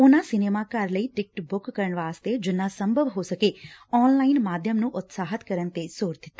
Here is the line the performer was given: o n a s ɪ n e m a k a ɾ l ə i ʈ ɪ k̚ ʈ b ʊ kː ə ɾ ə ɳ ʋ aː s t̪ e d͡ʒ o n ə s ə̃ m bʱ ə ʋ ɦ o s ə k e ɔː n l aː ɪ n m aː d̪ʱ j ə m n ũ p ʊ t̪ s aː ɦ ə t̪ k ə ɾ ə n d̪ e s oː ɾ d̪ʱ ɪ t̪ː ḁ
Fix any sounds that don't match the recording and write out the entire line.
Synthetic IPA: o n a s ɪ n e m a k a ɾ l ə i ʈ ɪ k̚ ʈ b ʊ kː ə ɾ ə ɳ ʋ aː s t̪ e d͡ʒ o n a s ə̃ m bʱ ə ʋ ɦ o s ə k e ɔː n l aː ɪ n m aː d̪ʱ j ə m n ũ ʔ ʊ t̪ s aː ɦ ə t̪ k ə ɾ ə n t̪ e s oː ɾ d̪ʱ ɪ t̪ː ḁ